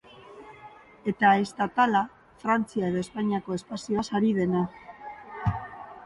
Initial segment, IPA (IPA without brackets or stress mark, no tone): e̞